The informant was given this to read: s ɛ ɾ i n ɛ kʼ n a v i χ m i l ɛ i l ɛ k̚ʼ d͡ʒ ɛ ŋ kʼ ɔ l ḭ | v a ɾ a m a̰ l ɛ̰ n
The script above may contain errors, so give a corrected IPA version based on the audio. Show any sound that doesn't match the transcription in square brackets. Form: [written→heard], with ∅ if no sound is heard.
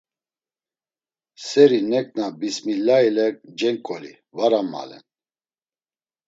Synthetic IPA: s ɛ ɾ i n ɛ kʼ n a [v→b] i [χ→s] m i l [ɛ→a] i l ɛ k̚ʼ d͡ʒ ɛ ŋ kʼ ɔ l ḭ | v a ɾ a m a̰ l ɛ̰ n